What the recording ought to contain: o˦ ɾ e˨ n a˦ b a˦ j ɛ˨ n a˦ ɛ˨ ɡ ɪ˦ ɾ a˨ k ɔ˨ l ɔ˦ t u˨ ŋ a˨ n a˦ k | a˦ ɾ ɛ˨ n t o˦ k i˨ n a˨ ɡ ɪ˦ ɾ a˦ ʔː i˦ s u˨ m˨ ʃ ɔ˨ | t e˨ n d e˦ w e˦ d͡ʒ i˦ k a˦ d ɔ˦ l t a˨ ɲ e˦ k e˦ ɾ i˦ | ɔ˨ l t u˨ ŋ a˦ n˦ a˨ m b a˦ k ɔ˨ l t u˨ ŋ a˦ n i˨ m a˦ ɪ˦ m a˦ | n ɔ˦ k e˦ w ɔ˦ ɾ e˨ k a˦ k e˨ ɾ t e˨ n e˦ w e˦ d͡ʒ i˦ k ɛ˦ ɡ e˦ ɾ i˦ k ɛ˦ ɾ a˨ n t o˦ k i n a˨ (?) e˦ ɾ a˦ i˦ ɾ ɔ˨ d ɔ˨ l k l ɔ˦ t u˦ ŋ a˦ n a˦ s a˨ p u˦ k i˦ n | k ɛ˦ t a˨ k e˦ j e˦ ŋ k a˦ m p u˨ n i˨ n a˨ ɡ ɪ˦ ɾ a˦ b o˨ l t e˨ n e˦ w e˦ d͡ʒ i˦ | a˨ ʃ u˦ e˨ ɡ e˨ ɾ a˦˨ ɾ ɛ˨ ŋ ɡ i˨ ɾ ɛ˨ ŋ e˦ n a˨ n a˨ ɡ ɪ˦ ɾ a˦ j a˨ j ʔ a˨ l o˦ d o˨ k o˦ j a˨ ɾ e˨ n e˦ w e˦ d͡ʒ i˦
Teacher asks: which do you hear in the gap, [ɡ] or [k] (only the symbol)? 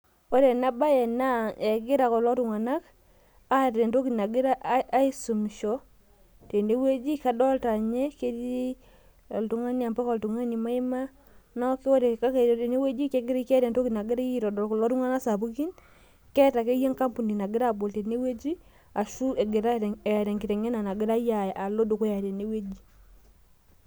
ɡ